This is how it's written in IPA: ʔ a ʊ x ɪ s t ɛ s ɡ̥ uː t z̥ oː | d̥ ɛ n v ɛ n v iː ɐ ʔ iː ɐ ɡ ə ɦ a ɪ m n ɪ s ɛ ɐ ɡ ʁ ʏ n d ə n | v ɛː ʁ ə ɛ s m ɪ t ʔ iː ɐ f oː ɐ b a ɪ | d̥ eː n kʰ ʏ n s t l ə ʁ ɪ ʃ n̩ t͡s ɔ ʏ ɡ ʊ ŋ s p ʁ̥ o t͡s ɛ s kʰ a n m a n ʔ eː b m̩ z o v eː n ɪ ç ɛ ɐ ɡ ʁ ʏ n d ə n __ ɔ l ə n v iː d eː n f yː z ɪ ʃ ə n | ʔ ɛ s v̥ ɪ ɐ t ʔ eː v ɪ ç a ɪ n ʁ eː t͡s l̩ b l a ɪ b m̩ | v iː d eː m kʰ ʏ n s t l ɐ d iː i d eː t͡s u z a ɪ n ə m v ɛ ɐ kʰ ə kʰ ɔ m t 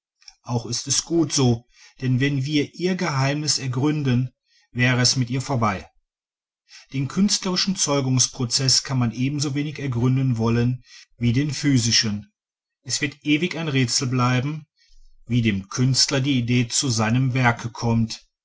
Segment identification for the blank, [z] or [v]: v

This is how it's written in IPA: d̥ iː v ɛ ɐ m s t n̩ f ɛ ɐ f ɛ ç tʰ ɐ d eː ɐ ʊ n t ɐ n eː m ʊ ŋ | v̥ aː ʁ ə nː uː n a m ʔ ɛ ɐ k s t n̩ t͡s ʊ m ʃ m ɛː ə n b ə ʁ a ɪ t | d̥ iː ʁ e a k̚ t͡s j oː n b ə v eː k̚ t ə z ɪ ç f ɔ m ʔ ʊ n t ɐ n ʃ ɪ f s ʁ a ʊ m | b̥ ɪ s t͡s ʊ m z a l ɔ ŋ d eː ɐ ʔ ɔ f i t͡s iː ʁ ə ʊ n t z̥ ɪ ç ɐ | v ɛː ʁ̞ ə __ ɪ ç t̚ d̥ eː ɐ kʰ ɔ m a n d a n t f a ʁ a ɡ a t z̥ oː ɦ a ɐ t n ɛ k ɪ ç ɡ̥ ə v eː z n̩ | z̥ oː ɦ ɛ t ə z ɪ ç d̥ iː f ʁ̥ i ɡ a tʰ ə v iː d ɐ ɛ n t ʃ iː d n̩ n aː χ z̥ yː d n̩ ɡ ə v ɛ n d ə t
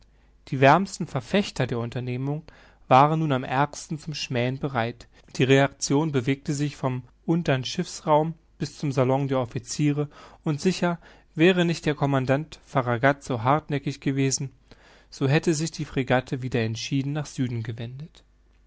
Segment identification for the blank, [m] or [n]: n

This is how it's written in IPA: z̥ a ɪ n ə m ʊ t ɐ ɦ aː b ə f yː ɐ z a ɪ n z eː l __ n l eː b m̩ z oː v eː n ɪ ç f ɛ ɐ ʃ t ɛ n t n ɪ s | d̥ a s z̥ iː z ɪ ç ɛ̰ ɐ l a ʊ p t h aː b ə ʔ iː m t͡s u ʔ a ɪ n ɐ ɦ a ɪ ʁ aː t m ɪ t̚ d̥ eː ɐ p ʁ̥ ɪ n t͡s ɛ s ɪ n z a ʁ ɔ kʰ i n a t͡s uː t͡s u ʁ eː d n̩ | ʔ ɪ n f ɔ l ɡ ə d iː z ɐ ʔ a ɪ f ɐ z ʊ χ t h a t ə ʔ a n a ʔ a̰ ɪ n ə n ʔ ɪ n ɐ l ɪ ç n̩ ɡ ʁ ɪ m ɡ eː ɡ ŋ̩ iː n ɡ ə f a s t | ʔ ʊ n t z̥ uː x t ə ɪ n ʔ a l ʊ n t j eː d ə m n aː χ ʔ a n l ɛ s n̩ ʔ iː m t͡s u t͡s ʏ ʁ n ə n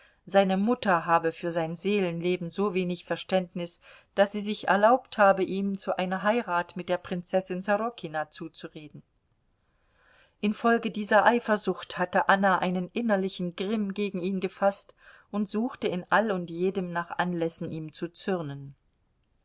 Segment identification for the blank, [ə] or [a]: ə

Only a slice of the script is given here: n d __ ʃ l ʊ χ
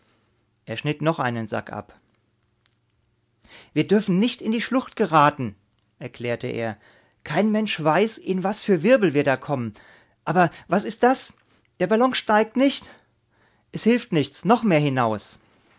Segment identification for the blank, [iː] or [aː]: iː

